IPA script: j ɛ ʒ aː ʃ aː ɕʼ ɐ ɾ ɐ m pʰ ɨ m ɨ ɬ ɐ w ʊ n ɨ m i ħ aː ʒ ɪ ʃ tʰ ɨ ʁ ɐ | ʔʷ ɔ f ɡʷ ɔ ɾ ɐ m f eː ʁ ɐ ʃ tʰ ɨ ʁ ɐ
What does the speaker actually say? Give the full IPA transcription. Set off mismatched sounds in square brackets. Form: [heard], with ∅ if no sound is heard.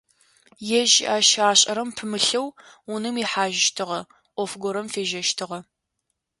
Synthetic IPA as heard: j ɛ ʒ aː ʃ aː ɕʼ ɐ ɾ ɐ m pʰ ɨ m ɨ ɬ ɐ w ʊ n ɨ m i ħ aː ʒ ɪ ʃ tʰ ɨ ʁ ɐ | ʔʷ ɔ f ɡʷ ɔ ɾ ɐ m f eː [ʒ] ɐ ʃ tʰ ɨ ʁ ɐ

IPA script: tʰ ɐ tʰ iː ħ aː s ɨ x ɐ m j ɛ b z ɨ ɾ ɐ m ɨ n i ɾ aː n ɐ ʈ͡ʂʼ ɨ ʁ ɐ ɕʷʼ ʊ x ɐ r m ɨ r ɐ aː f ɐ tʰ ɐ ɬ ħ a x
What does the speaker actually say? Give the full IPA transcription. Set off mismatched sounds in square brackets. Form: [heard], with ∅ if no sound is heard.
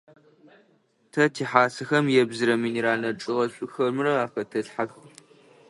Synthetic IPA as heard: tʰ ɐ tʰ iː ħ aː s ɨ x ɐ m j ɛ b z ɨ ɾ ɐ m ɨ n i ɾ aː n ɐ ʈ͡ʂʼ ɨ ʁ ɐ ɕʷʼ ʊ x ɐ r m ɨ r ɐ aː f ɐ tʰ ɐ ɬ ħ a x

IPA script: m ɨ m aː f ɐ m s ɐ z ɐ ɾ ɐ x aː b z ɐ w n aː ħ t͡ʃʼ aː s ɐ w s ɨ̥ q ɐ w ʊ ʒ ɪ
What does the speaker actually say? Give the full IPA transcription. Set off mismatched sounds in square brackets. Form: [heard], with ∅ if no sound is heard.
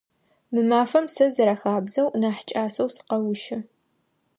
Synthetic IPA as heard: m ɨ m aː f ɐ m s ɐ z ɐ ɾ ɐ x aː b z ɐ w n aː ħ t͡ʃʼ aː s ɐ w s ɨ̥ q ɐ w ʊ [ʃ] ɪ

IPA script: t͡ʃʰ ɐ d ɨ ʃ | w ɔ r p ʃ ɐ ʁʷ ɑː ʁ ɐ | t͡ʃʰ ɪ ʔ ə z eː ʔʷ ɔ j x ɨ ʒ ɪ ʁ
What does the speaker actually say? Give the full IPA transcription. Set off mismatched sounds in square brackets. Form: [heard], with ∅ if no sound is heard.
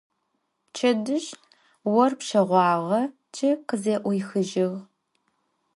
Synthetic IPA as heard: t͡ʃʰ ɐ d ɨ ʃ | w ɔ r p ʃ ɐ ʁʷ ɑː ʁ ɐ | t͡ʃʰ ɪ [q] ə z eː ʔʷ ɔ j x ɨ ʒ ɪ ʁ

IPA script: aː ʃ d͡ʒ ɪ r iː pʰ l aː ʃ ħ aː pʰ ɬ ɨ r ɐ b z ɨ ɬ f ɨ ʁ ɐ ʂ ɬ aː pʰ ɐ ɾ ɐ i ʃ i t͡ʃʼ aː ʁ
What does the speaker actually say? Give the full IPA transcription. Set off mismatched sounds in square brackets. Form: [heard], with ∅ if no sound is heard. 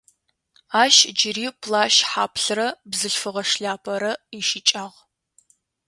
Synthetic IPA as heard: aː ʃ d͡ʒ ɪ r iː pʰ l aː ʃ ħ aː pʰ ɬ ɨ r ɐ b z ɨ ɬ f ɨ ʁ ɐ ʂ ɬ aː pʰ ɐ ɾ ɐ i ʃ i t͡ʃʼ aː ʁ

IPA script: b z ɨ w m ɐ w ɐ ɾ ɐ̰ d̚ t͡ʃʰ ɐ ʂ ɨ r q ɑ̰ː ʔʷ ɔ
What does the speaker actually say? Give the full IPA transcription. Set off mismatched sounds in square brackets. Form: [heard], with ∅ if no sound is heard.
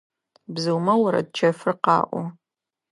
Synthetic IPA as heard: b z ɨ w m ɐ w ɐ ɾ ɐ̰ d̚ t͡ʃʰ ɐ [f] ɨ r q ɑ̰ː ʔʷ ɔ

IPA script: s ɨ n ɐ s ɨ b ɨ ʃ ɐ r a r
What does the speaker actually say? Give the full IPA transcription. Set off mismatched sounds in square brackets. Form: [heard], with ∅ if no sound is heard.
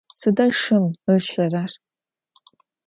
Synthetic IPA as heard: s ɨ [d] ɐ [ʂ] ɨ [m] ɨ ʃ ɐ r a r

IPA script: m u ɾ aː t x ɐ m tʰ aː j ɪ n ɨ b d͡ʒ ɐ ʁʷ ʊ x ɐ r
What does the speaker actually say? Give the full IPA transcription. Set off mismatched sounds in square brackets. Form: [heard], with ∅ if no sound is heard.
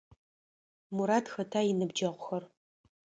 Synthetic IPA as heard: m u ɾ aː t x ɐ [∅] tʰ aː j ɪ n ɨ b d͡ʒ ɐ ʁʷ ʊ x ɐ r

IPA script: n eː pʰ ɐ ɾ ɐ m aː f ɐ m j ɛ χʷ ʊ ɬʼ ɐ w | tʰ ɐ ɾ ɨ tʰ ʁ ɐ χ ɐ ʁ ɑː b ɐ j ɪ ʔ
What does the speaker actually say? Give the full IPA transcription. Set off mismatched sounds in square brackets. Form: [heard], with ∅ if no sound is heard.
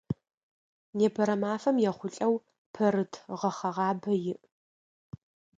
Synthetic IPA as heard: n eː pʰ ɐ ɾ ɐ m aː f ɐ m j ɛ χʷ ʊ ɬʼ ɐ w | [pʰ] ɐ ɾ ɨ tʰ ʁ ɐ χ ɐ ʁ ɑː b ɐ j ɪ ʔ

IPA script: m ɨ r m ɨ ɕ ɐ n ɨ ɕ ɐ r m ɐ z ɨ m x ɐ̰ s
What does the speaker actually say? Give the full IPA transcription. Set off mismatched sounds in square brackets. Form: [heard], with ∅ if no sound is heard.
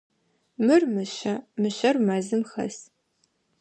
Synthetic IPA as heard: m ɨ r m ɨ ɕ ɐ [m] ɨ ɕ ɐ r m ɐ z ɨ m x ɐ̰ s

